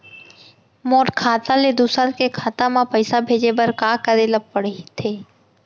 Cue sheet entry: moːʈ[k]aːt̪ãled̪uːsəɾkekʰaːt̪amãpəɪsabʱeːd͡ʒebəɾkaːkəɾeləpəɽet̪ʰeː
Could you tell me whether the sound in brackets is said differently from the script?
yes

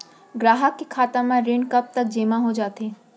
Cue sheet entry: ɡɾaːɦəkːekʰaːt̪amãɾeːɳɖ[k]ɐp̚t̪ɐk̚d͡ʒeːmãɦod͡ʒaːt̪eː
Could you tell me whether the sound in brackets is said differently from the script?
no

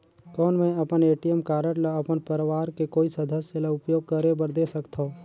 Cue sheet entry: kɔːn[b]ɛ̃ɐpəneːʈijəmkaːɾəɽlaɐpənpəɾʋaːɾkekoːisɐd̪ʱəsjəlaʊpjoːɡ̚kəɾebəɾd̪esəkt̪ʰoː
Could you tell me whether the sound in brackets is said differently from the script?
yes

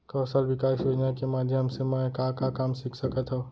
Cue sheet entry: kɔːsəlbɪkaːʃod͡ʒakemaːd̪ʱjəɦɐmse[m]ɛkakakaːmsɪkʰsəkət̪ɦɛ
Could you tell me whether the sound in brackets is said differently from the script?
no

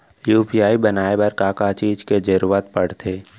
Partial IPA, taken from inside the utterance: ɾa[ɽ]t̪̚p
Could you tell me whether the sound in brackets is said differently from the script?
yes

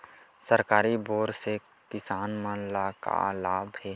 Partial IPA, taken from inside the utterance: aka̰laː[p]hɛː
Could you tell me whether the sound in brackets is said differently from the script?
yes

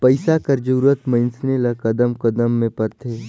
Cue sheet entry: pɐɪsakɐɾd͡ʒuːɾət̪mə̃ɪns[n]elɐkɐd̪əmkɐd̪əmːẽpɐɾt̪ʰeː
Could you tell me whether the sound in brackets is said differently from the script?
no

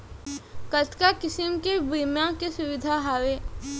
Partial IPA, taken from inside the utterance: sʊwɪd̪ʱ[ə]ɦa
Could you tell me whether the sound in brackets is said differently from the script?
yes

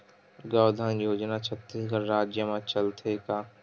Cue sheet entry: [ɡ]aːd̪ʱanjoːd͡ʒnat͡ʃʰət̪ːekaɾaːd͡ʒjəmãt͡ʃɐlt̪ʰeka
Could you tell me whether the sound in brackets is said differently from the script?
no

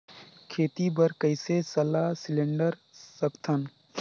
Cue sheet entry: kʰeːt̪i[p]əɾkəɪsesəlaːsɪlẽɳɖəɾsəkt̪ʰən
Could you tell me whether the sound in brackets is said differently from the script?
yes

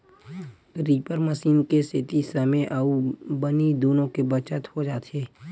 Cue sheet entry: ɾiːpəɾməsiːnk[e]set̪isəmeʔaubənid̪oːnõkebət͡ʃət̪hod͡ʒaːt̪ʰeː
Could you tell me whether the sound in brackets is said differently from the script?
no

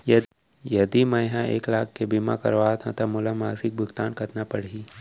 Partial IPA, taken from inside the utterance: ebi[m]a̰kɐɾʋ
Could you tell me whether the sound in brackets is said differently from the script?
no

